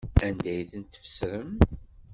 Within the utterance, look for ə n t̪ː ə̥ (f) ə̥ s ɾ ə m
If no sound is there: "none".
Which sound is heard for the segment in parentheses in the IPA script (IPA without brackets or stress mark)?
f